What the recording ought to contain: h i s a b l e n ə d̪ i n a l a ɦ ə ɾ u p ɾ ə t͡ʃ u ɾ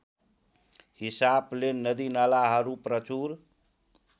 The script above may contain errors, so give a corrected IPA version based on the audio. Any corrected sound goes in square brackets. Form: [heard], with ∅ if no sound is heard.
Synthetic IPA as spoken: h i s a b l e n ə d̪ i n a l a ɦ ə ɾ u p ɾ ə t͡ʃ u ɾ